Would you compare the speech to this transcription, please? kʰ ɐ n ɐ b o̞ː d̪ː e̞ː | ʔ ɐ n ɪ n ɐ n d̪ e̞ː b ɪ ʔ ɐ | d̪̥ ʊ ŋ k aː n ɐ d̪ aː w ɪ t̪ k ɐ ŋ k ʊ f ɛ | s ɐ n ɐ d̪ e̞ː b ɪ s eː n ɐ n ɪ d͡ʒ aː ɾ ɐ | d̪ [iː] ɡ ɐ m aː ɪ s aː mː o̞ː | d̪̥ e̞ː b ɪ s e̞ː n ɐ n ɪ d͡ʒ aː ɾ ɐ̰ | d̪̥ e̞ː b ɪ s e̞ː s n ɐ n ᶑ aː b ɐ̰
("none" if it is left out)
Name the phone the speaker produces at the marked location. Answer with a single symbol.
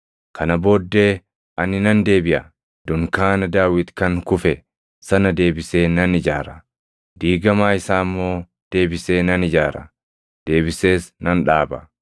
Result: iː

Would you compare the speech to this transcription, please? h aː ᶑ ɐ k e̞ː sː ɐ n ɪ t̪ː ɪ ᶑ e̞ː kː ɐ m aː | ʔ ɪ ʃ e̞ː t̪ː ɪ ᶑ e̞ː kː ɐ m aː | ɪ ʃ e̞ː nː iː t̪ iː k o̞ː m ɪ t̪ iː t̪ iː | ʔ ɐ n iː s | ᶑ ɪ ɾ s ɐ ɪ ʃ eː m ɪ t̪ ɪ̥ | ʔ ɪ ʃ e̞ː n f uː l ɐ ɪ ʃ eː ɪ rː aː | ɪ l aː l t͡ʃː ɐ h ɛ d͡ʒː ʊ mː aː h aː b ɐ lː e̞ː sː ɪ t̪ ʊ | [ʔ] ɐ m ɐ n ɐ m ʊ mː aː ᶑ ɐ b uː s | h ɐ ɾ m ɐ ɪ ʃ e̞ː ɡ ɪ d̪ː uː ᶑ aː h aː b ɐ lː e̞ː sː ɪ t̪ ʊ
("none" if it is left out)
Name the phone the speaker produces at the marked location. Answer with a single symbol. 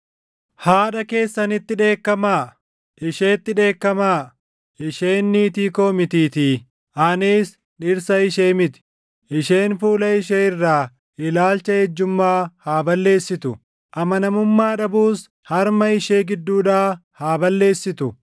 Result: ʔ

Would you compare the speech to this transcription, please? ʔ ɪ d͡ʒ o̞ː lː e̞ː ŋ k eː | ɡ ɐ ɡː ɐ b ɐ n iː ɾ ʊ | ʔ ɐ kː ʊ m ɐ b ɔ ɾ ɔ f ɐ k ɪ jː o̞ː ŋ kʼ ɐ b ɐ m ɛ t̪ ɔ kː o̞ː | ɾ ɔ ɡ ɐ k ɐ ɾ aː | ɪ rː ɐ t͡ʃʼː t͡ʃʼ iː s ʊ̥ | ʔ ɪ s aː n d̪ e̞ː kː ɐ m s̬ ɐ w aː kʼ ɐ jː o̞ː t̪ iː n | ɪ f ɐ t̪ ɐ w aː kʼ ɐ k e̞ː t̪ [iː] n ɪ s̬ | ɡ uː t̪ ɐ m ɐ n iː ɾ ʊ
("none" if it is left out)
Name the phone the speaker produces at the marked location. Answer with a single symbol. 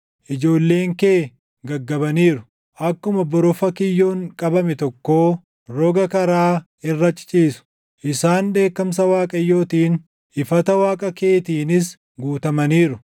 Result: iː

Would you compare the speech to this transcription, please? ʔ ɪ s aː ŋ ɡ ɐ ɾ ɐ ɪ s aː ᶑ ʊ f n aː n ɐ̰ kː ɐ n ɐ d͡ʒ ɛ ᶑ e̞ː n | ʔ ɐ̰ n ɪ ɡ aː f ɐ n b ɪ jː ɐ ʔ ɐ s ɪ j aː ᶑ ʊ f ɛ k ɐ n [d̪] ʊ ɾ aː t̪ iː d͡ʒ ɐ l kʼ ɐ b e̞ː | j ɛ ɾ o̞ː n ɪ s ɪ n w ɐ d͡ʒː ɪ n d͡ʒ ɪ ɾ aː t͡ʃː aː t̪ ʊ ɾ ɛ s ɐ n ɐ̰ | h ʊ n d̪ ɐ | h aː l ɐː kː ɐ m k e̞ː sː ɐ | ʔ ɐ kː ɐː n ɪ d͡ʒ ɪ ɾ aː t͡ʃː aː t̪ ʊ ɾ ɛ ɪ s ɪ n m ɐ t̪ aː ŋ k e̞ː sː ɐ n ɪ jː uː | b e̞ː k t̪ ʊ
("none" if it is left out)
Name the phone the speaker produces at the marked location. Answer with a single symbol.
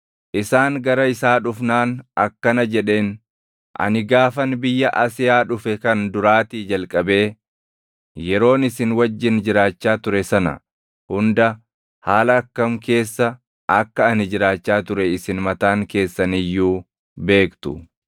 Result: d̪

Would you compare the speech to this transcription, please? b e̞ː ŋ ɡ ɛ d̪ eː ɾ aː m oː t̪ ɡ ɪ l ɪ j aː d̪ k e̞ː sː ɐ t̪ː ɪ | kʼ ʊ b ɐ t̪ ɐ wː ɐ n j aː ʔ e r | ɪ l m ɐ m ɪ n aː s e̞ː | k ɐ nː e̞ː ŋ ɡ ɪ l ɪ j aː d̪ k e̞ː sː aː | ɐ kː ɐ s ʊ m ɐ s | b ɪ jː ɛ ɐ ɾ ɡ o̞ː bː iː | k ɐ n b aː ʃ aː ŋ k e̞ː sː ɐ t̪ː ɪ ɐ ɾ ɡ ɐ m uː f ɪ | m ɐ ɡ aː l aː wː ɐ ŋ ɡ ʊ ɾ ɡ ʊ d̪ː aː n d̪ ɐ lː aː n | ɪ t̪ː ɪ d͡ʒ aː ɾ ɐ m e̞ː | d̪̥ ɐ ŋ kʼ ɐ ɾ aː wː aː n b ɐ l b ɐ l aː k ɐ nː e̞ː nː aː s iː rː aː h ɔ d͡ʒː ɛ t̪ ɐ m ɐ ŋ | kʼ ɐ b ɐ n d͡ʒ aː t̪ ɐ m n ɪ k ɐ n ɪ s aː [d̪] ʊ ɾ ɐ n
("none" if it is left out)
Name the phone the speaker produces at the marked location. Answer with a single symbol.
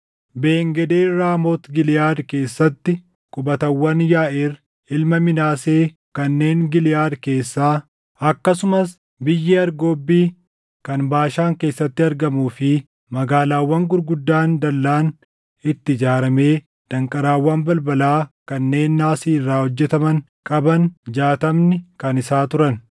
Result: t̪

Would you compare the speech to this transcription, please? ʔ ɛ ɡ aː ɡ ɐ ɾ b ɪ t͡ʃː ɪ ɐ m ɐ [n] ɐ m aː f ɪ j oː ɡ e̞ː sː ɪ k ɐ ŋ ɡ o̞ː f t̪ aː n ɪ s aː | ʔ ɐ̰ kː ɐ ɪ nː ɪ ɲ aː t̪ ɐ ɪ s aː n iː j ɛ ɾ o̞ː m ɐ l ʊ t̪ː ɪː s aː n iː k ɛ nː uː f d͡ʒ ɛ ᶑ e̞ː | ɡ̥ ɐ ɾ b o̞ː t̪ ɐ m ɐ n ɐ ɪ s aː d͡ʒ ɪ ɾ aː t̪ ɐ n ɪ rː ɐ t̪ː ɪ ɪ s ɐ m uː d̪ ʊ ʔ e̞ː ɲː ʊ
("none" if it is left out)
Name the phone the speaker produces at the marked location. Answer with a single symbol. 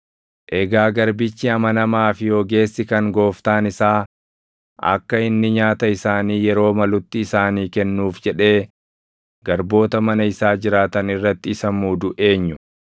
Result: n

